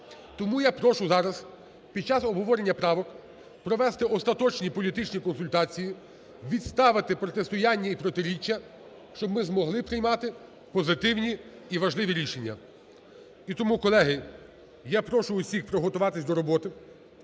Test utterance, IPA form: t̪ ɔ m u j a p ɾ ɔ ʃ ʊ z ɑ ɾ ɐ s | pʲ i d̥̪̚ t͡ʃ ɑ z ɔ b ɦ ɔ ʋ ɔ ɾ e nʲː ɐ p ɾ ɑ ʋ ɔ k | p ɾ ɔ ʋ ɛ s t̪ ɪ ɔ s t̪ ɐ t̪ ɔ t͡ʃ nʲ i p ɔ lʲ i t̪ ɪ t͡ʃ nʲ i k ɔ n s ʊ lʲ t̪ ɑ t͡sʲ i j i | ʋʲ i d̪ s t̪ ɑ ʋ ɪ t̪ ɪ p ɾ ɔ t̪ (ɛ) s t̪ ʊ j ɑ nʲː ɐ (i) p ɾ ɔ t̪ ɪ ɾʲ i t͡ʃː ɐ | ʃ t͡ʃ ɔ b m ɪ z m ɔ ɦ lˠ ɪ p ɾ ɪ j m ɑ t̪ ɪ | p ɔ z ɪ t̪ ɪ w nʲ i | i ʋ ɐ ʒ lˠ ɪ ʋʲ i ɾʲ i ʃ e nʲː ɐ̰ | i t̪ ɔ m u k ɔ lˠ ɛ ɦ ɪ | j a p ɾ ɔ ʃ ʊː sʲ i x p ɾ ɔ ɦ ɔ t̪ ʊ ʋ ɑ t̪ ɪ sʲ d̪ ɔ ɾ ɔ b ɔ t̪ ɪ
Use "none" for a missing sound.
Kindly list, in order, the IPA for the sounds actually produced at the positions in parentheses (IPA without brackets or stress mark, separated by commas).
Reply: e, i